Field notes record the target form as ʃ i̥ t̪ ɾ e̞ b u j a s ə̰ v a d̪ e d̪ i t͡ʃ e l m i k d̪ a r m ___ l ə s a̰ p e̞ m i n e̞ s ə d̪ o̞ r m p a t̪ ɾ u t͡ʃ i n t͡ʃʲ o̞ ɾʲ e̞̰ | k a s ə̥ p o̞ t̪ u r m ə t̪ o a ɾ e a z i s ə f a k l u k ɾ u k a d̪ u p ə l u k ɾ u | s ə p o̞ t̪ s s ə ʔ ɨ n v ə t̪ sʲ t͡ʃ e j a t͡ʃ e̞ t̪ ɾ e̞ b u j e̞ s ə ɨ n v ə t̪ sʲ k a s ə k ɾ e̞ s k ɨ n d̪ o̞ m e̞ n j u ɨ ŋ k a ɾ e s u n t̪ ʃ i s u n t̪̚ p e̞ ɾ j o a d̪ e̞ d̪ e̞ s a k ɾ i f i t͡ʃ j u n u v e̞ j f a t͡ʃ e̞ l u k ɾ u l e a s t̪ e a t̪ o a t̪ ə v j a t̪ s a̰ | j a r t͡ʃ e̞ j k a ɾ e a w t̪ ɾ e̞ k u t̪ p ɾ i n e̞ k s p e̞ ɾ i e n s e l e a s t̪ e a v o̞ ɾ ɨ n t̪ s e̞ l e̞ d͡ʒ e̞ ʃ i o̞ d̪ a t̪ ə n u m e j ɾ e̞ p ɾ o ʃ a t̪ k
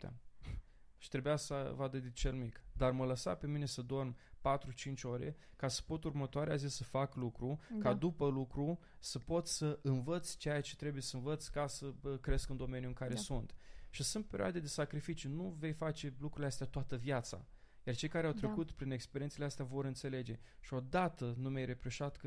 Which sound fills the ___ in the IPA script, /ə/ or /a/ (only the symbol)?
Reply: ə